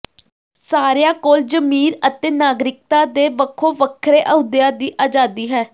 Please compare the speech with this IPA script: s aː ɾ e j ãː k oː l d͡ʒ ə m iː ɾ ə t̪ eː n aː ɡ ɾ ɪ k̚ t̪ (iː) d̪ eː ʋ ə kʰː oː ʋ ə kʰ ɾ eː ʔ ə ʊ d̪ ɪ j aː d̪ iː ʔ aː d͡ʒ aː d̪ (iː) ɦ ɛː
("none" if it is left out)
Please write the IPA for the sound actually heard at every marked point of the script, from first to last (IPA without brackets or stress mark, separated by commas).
aː, iː